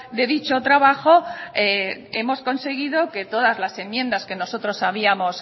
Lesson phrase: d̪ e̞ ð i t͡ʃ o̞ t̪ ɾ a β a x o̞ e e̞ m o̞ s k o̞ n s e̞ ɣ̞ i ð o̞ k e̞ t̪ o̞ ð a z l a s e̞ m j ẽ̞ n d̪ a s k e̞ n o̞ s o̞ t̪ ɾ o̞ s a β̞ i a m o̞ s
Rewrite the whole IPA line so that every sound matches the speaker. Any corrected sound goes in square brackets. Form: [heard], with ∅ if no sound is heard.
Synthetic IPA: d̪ e̞ ð i t͡ʃ o̞ t̪ ɾ a β a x o̞ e e̞ m o̞ s k o̞ n s e̞ ɣ̞ i ð o̞ k e̞ t̪ o̞ ð a z l a s e̞ m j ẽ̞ n d̪ a s k e̞ n o̞ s o̞ t̪ ɾ o̞ s a β̞ i a m o̞ s